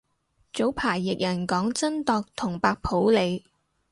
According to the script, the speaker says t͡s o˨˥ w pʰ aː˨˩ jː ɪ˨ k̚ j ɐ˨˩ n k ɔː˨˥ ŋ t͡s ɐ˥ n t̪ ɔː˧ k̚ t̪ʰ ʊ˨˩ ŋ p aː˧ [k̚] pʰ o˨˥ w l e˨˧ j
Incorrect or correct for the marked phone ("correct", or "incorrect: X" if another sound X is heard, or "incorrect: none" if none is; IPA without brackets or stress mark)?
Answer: correct